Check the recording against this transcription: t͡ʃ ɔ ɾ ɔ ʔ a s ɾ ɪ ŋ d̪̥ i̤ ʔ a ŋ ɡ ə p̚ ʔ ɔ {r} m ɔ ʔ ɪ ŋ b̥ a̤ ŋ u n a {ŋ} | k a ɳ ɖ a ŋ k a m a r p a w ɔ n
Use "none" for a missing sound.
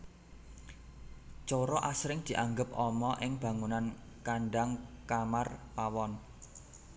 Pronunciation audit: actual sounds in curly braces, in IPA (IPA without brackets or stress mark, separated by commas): none, n